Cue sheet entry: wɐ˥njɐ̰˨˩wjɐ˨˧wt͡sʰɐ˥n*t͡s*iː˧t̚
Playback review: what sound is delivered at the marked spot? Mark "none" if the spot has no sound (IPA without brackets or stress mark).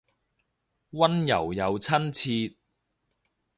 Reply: t͡sʰ